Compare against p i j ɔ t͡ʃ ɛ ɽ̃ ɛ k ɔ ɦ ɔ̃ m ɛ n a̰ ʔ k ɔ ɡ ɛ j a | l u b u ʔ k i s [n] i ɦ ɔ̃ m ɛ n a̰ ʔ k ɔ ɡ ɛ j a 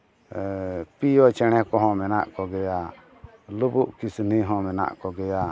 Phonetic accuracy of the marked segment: correct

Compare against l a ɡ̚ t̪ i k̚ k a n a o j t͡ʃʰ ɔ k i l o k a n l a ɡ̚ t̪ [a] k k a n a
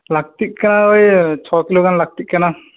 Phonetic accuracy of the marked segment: incorrect: i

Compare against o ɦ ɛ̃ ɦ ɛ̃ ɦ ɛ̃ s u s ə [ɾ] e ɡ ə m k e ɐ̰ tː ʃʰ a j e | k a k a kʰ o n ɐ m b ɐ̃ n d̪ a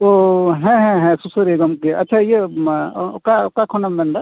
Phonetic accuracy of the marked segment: correct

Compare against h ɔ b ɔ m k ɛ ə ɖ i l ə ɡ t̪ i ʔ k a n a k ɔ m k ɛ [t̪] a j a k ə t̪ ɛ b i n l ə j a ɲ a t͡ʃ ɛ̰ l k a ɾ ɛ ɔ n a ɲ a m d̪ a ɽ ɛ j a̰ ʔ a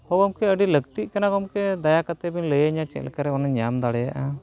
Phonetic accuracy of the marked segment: incorrect: d̪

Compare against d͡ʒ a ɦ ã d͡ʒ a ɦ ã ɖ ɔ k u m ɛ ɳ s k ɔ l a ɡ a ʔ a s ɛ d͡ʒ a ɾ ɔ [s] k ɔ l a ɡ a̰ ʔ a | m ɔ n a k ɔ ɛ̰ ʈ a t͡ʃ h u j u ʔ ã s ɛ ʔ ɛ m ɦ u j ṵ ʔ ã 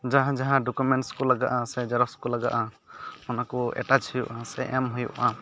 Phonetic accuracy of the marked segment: correct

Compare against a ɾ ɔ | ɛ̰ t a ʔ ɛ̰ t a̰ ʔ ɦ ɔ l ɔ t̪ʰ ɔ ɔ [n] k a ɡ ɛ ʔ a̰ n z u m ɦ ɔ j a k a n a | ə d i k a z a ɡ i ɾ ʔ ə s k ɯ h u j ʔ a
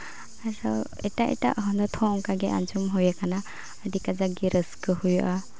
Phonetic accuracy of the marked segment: incorrect: ŋ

